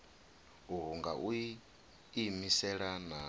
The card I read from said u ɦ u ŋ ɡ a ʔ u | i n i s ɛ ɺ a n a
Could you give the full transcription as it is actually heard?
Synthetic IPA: u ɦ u ŋ ɡ a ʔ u | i m i s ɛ ɺ a n a